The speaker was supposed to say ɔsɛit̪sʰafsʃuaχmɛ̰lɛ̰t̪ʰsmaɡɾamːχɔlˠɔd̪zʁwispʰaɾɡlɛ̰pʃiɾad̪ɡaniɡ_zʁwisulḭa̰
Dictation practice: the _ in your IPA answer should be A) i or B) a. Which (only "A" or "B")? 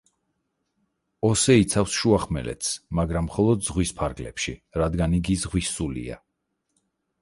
A